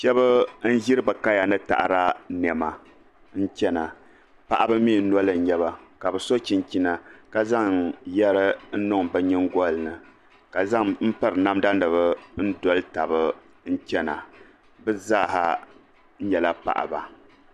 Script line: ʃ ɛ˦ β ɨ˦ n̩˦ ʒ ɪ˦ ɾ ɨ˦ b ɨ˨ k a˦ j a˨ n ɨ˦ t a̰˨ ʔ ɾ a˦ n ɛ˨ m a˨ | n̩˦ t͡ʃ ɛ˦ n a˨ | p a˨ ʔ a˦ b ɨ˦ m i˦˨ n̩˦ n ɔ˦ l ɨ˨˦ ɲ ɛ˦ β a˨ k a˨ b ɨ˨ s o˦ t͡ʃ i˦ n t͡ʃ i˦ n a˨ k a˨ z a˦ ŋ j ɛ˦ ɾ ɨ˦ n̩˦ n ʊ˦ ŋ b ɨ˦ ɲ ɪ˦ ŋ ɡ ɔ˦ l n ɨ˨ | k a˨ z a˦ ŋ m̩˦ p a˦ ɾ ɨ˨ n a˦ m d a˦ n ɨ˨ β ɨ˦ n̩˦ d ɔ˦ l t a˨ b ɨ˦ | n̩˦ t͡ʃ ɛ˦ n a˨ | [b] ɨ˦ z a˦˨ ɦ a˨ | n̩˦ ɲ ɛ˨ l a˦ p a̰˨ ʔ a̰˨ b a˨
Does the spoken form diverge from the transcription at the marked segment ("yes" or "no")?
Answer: no